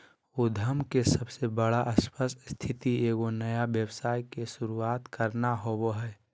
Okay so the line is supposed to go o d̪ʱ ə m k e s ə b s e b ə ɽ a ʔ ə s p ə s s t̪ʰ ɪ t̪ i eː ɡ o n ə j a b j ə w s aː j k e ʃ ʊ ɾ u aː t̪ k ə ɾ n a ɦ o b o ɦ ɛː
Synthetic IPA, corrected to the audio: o d̪ʱ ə m k e s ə b s e b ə ɽ a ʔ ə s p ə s s t̪ʰ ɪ t̪ i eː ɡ o n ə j a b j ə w s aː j k e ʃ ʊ ɾ u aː t̪ k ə ɾ n a ɦ o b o ɦ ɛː

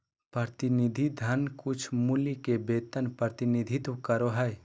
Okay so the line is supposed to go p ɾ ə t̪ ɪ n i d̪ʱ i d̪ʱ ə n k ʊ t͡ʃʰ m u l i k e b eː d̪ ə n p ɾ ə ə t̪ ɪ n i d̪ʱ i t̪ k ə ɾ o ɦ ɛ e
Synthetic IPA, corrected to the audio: p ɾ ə t̪ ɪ n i d̪ʱ i d̪ʱ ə n k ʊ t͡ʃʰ m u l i k e b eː t̪ ə n p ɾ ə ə t̪ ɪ n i d̪ʱ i t̪ k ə ɾ o ɦ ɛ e

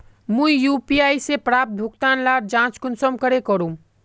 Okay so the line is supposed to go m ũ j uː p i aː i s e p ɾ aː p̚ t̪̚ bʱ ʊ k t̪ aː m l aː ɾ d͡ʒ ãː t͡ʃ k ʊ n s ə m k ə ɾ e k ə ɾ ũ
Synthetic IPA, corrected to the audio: m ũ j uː p i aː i s e p ɾ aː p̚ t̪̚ bʱ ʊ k t̪ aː n l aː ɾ d͡ʒ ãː t͡ʃ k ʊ n s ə m k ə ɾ e k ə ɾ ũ

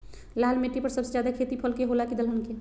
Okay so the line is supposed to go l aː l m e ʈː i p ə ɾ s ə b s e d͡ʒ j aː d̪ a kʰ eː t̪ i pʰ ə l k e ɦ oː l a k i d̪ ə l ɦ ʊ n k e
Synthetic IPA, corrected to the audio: l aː l m e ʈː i p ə ɾ s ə b s e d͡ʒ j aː d̪ a kʰ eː t̪ i pʰ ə l k e ɦ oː l a k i d̪ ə l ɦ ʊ n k e

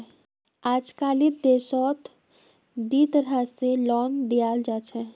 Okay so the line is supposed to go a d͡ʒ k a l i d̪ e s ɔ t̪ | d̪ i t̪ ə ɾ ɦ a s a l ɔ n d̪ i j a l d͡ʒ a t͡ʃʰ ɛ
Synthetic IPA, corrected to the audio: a d͡ʒ k a l i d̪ e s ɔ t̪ | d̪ i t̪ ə ɾ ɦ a s e l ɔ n d̪ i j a l d͡ʒ a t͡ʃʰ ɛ

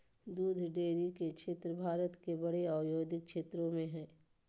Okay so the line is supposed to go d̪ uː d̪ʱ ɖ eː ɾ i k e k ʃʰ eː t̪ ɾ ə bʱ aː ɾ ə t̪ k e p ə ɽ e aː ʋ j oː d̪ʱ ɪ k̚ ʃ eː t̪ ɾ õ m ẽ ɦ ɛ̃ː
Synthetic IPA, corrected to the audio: d̪ uː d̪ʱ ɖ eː ɾ i k e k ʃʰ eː t̪ ɾ ə bʱ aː ɾ ə t̪ k e b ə ɽ e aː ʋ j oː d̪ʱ ɪ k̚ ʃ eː t̪ ɾ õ m ẽ ɦ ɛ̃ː

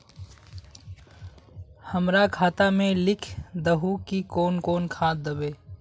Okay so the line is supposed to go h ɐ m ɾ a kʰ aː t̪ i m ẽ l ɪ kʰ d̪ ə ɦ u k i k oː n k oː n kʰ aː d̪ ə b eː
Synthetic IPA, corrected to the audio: h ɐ m ɾ a kʰ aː t̪ a m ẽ l ɪ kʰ d̪ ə ɦ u k i k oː n k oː n kʰ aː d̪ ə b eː

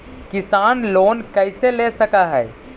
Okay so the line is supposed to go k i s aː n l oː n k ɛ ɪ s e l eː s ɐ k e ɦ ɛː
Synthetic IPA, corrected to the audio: k ɪ s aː n l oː n k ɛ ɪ s e l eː s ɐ k a ɦ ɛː

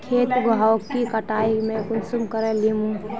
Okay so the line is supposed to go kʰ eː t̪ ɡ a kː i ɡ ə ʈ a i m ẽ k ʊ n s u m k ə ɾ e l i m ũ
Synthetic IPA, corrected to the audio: kʰ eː t̪ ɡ a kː i k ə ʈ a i m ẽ k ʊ n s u m k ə ɾ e l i m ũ

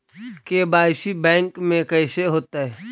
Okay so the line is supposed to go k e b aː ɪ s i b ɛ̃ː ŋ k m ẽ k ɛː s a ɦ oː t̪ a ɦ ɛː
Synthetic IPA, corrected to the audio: k e b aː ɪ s i b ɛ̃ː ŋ k m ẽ k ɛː s e ɦ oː t̪ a ɦ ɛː

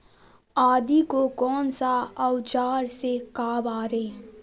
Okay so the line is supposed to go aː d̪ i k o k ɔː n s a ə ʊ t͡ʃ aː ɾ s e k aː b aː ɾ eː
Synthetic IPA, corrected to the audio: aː d̪ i k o k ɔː n s a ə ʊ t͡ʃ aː ɾ s e k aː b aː ɾ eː

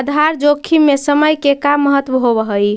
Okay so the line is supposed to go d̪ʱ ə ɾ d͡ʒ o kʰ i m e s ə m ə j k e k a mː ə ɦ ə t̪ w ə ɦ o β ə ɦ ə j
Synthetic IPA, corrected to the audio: d̪ʱ a ɾ d͡ʒ o kʰ i m e s ə m ə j k e k a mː ə ɦ ə t̪ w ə ɦ o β ə ɦ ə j

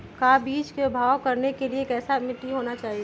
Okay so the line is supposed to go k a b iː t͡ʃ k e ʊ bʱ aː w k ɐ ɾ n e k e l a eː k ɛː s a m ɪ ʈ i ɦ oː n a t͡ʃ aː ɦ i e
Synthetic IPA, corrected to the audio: k a b iː t͡ʃ k e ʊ bʱ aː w k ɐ ɾ n e k e l i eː k ɛː s a m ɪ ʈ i ɦ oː n a t͡ʃ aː ɦ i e

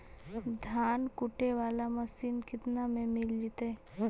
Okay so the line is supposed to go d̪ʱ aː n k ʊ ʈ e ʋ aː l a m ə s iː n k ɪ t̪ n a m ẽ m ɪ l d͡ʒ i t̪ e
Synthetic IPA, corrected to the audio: d̪ʱ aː n k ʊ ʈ e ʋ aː l a m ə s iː n k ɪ t̪ n a m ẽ m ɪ l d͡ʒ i t̪ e

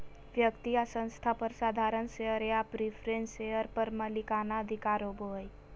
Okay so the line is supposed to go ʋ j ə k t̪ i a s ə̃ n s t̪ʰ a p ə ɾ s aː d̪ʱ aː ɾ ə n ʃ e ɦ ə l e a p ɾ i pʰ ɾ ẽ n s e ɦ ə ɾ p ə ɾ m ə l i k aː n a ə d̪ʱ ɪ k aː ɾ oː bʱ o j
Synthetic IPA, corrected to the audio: ʋ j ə k t̪ i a s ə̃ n s t̪ʰ a p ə ɾ s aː d̪ʱ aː ɾ ə n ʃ e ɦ ə ɾ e a p ɾ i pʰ ɾ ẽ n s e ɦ ə ɾ p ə ɾ m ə l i k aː n a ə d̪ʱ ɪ k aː ɾ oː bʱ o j

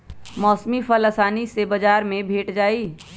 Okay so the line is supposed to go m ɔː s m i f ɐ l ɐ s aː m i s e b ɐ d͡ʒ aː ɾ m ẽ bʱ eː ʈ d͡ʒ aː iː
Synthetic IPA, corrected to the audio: m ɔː s m i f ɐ l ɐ s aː n i s e b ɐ d͡ʒ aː ɾ m ẽ bʱ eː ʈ d͡ʒ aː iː

